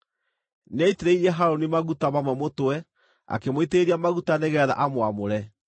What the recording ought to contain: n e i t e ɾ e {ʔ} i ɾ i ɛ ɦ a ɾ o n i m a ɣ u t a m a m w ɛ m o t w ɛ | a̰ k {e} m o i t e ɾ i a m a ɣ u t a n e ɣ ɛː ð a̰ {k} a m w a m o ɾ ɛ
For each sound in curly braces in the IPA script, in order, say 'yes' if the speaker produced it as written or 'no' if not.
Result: no, yes, no

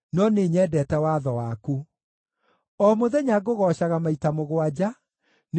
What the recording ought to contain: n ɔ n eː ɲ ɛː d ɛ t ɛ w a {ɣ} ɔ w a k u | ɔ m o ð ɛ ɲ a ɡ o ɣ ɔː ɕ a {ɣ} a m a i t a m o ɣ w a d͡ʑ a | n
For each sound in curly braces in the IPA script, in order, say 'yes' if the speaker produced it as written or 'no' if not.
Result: no, yes

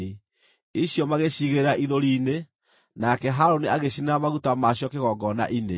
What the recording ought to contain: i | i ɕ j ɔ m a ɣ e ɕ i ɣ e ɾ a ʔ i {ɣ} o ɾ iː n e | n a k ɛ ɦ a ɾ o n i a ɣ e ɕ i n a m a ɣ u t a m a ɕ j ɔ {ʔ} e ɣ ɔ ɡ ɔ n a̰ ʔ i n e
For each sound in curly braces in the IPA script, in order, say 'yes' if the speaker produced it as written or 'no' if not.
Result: no, no

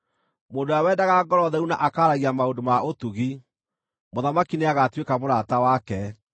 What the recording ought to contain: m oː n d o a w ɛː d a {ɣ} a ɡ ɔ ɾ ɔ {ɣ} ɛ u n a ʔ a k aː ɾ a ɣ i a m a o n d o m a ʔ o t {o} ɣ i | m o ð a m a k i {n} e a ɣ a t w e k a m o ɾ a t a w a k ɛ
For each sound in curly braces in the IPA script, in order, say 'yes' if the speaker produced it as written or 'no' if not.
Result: yes, no, no, yes

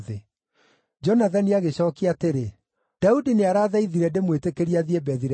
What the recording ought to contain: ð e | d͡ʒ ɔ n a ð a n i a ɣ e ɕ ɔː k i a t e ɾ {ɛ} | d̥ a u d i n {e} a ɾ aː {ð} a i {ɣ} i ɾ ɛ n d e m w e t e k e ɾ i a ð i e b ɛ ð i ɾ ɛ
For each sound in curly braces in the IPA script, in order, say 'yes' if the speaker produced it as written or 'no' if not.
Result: no, yes, yes, no

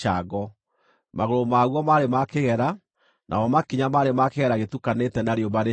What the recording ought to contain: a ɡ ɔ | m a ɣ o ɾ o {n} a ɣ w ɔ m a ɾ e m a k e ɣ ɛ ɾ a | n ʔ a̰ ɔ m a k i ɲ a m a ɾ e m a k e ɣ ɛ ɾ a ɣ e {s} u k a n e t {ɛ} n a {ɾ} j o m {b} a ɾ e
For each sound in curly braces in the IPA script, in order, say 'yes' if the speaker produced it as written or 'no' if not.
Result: no, no, yes, yes, yes

